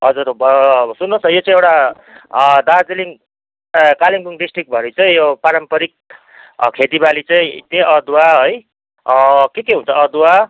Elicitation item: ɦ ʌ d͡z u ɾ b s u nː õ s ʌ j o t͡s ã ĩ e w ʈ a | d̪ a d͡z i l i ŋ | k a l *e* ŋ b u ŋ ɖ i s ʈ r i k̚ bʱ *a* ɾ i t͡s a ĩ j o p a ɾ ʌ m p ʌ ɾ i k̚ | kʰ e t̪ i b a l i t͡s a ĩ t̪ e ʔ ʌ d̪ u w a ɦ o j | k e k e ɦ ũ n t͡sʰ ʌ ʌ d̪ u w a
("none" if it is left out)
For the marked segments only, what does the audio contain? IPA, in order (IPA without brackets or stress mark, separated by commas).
i, ʌ